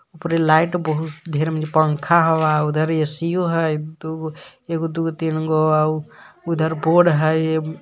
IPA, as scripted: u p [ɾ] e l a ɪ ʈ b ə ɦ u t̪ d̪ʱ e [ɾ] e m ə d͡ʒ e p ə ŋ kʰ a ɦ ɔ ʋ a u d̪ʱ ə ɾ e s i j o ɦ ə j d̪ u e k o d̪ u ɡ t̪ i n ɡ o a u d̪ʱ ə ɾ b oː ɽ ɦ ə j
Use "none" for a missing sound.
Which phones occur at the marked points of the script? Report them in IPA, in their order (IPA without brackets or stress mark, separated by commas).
ɾ, ɾ